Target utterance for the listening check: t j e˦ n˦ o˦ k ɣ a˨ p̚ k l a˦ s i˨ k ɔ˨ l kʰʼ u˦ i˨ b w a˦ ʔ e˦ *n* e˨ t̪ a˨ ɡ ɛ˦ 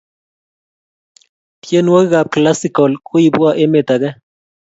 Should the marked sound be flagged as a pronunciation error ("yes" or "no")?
yes